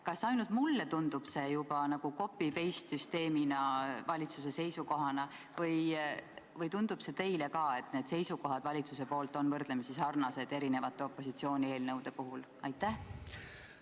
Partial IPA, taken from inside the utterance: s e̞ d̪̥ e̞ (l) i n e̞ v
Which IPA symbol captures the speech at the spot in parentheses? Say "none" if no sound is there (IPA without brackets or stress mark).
ɾ